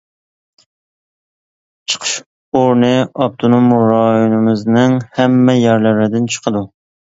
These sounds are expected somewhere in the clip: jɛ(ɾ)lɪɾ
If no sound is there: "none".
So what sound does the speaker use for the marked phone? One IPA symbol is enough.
ɾ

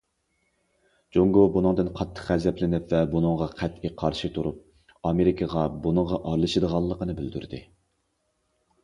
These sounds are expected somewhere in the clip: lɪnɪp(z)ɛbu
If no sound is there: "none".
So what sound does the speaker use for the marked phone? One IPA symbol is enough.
v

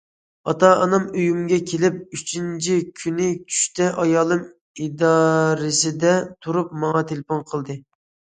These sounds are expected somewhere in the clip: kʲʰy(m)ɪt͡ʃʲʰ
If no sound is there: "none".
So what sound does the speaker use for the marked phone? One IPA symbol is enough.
n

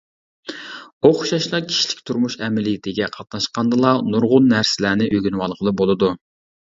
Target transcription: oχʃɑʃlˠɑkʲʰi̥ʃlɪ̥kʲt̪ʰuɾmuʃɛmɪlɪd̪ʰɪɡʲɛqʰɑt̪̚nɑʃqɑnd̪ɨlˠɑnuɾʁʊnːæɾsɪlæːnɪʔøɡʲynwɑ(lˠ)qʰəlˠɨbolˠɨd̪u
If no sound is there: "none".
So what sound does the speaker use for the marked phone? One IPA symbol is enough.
lˠ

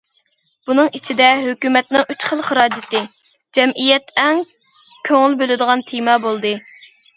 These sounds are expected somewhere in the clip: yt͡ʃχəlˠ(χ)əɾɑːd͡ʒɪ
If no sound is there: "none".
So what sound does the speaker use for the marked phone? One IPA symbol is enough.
χ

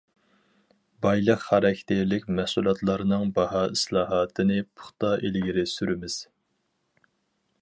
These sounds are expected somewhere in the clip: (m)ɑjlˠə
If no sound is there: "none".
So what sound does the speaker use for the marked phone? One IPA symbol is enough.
b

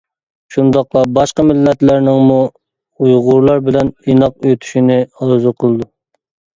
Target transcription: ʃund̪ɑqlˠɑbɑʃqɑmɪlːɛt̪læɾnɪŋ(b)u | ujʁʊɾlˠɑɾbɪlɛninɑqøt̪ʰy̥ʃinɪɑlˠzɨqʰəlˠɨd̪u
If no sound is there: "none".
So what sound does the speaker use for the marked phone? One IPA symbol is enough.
m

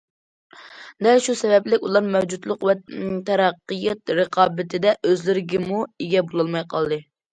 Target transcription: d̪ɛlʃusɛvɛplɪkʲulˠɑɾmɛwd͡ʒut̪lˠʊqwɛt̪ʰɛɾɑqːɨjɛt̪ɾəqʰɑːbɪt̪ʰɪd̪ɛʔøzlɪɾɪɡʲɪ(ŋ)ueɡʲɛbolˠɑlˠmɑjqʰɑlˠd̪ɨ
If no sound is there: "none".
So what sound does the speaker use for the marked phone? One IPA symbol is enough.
m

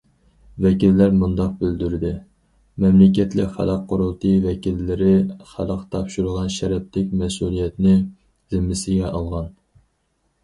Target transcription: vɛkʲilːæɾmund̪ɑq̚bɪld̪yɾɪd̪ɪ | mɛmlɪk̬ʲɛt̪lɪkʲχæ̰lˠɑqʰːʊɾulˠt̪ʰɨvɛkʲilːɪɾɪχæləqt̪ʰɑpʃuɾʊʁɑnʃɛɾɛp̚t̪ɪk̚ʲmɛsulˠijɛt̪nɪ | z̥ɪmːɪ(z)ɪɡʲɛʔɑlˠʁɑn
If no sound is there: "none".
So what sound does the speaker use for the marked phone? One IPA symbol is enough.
s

